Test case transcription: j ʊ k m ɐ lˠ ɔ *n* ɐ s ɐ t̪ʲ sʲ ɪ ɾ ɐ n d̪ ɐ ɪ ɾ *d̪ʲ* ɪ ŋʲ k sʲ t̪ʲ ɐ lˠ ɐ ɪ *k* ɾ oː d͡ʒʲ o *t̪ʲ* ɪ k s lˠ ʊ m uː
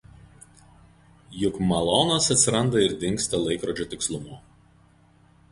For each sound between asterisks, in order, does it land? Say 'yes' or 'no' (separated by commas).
yes, yes, yes, yes